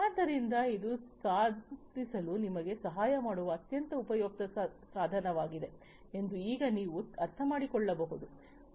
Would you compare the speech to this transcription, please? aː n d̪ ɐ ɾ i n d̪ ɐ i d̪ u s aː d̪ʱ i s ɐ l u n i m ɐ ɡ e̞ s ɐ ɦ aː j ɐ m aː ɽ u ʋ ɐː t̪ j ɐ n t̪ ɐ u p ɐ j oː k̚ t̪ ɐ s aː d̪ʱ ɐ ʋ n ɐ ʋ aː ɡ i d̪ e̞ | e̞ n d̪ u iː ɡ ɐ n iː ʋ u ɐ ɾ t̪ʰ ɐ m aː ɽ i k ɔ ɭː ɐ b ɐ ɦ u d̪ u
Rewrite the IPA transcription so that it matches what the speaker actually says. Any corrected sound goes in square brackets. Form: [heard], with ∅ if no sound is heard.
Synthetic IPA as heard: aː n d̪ ɐ ɾ i n d̪ ɐ i d̪ u s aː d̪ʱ i s ɐ l u n i m ɐ ɡ e̞ s ɐ ɦ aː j ɐ m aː ɽ u ʋ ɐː t̪ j ɐ n t̪ ɐ u p ɐ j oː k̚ t̪ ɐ s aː d̪ʱ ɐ [∅] n ɐ ʋ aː ɡ i d̪ e̞ | e̞ n d̪ u iː ɡ ɐ n iː ʋ u ɐ ɾ t̪ʰ ɐ m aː ɽ i k ɔ ɭː ɐ b ɐ ɦ u d̪ u